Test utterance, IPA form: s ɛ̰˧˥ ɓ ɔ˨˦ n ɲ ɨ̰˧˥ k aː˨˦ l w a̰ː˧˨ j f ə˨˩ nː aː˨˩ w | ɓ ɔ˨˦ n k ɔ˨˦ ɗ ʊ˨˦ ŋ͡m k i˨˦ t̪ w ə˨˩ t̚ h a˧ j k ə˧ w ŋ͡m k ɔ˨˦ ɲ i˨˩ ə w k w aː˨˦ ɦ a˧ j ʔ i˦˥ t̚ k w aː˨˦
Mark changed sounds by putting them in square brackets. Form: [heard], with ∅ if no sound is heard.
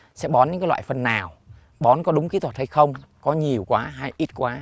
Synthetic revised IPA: s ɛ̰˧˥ ɓ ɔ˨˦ n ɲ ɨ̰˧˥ k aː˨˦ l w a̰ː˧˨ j f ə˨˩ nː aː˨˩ w | ɓ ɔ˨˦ n k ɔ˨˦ ɗ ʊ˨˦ ŋ͡m k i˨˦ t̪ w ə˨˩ t̚ h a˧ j [x] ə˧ w ŋ͡m k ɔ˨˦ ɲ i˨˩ ə w k w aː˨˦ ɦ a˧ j ʔ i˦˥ t̚ k w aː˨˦